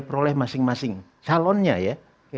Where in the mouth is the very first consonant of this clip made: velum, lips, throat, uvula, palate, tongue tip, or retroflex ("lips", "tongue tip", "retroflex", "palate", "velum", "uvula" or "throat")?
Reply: lips